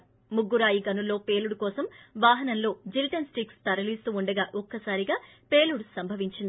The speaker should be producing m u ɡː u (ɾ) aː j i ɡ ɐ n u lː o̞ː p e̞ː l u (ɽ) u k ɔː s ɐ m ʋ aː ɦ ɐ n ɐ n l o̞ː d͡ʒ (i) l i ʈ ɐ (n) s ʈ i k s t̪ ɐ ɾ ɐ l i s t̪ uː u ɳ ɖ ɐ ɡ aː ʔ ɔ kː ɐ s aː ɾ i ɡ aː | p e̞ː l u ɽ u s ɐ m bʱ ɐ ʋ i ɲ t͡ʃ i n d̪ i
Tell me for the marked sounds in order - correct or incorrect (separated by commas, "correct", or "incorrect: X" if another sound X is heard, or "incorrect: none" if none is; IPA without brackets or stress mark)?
correct, correct, correct, correct